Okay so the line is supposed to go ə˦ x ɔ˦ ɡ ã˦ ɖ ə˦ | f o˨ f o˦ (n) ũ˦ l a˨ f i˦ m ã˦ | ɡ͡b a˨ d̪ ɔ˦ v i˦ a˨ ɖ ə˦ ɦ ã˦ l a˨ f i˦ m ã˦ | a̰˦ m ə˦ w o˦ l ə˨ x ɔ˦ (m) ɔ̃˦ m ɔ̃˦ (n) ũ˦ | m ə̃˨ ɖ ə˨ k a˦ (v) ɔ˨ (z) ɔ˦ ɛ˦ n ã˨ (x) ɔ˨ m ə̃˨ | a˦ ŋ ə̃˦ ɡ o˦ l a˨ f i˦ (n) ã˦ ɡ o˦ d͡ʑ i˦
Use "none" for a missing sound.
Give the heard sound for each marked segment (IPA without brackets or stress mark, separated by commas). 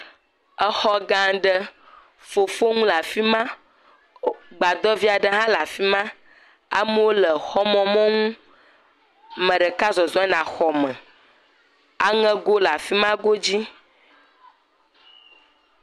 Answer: ŋ, m, ŋ, z, z, x, m